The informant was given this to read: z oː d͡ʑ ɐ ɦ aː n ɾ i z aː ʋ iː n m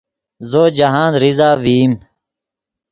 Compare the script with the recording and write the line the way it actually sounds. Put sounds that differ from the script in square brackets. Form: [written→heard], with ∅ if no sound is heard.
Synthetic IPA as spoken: z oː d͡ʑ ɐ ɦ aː n ɾ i z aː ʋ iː [n→∅] m